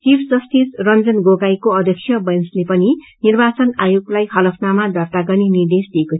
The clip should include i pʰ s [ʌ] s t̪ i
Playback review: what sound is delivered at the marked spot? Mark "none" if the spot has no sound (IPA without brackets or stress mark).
ʌ